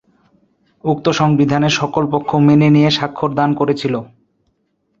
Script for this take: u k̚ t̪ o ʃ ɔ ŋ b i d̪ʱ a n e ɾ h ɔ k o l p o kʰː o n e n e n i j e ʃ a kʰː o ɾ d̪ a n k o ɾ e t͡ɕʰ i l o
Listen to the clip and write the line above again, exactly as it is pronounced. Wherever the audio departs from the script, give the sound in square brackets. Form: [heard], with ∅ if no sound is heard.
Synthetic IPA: u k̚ t̪ o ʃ ɔ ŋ b i d̪ʱ a n e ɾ [ʃ] ɔ k o l p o kʰː o [m] e n e n i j e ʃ a kʰː o ɾ d̪ a n k o ɾ e t͡ɕʰ i l o